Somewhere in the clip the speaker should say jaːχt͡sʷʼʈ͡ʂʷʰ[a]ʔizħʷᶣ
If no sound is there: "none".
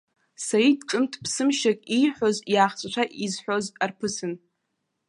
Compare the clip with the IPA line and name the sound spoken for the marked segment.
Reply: a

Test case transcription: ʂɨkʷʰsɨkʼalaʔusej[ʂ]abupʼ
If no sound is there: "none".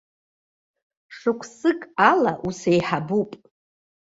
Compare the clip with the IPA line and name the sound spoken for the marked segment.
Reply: ħ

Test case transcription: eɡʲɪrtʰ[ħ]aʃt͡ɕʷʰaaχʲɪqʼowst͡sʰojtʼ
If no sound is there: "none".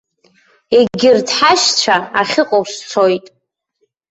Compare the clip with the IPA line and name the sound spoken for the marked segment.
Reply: ħ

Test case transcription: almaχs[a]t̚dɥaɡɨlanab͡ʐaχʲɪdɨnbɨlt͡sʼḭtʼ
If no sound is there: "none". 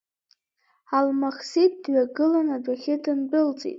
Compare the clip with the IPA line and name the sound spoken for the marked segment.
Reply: i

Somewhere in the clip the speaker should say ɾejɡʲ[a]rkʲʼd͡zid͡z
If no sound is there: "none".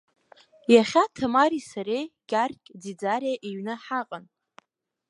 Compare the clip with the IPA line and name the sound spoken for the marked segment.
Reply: a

